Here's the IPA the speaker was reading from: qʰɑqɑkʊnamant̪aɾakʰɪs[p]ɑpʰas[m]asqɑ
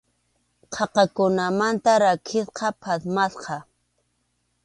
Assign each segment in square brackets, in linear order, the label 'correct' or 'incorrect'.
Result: incorrect: q, correct

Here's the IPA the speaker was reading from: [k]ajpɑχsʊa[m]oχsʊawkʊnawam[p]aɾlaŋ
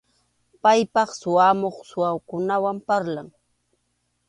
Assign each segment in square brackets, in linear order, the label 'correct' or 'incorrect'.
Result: incorrect: p, correct, correct

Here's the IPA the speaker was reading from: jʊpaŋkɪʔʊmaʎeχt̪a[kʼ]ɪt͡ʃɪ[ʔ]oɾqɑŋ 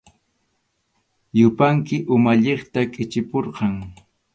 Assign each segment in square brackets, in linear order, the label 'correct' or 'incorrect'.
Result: correct, incorrect: p

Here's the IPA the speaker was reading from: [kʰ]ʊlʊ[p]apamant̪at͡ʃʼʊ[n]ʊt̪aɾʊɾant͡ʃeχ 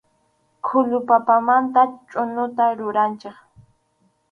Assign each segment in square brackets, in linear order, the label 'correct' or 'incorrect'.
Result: correct, correct, correct

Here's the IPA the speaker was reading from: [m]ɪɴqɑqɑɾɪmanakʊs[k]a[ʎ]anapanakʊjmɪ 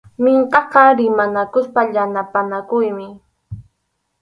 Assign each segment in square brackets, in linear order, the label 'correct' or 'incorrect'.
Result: correct, incorrect: p, correct

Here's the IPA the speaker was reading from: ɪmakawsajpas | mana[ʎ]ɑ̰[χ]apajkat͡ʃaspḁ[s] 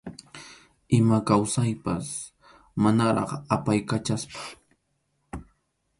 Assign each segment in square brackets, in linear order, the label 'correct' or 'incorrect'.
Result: incorrect: ɾ, correct, incorrect: none

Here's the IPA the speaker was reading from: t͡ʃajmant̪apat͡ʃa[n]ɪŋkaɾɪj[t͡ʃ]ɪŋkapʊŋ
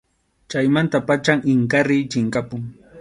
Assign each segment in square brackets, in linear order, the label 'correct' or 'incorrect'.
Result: incorrect: ŋ, correct

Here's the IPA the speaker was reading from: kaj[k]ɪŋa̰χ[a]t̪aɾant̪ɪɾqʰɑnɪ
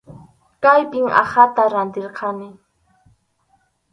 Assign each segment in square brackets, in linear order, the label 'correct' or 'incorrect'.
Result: incorrect: p, correct

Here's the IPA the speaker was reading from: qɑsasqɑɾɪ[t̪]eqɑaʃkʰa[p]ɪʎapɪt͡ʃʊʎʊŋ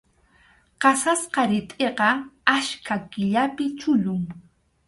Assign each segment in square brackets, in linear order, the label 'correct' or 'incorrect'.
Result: incorrect: t̪ʼ, incorrect: k

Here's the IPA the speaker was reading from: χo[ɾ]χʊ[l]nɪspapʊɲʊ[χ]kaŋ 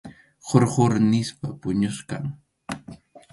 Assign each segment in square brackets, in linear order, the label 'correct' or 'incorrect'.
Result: correct, incorrect: ɾ, incorrect: s

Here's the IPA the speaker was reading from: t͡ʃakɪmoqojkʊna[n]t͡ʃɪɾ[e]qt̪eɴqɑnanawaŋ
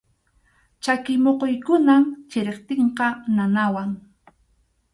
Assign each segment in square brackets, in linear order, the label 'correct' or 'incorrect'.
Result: incorrect: m, correct

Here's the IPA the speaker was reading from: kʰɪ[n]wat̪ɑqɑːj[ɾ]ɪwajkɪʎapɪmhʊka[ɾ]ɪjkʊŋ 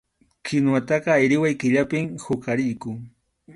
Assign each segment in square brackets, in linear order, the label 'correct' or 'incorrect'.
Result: correct, correct, correct

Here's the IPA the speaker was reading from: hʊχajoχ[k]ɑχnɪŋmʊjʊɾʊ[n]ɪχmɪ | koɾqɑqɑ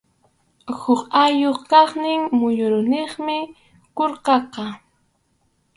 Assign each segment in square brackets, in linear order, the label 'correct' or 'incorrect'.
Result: correct, correct

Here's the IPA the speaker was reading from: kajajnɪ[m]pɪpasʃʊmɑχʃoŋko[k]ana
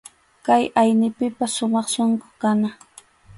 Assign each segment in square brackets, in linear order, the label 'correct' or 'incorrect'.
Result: incorrect: none, correct

